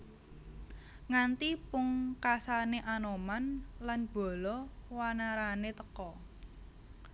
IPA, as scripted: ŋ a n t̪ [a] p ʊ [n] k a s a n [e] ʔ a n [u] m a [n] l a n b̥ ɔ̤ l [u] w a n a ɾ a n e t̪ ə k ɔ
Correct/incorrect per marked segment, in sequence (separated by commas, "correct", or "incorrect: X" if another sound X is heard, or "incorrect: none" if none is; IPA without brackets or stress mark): incorrect: i, incorrect: ŋ, correct, incorrect: o, correct, incorrect: ɔ